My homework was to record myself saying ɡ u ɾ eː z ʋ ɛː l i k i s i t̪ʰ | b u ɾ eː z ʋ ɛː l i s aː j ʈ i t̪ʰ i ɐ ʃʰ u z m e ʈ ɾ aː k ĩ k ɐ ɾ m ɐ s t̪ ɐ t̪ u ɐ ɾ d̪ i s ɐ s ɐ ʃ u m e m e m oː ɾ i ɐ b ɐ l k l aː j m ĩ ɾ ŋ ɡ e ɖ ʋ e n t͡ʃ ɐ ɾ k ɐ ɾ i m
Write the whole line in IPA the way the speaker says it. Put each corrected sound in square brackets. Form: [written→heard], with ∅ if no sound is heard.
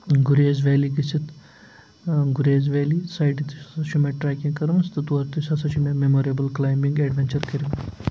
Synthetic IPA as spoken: ɡ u ɾ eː z ʋ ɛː l i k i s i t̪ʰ | [b→ɡ] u ɾ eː z ʋ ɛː l i s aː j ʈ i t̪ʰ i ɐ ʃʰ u [z→∅] m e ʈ ɾ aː k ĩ k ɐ ɾ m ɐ s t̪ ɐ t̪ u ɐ ɾ [d̪→t̪] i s ɐ s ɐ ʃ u m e m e m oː ɾ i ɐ b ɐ l k l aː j m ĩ [ɾ→∅] ŋ ɡ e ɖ ʋ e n t͡ʃ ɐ ɾ k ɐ ɾ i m